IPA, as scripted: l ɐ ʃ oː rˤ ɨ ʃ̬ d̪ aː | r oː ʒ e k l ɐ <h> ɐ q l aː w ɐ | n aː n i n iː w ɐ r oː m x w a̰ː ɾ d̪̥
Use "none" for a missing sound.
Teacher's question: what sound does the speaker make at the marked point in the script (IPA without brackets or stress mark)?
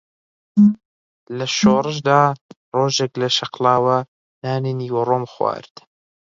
ʃ